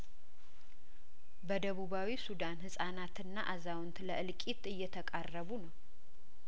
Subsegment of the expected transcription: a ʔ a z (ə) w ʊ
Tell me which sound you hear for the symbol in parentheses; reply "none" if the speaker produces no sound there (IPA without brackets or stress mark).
a